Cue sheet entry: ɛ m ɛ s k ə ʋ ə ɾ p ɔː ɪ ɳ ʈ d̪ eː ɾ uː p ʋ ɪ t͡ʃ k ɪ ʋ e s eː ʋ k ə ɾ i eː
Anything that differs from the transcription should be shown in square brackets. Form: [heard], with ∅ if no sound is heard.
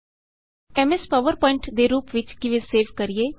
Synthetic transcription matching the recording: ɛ m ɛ s [p] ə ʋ ə ɾ p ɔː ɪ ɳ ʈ d̪ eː ɾ uː p ʋ ɪ t͡ʃ k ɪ ʋ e s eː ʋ k ə ɾ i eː